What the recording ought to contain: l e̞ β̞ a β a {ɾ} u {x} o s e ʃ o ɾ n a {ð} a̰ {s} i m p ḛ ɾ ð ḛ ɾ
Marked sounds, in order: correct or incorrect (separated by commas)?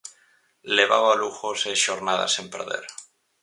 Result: incorrect, correct, correct, correct